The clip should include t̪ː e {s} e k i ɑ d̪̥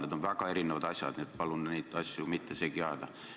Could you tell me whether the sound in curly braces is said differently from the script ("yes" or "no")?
no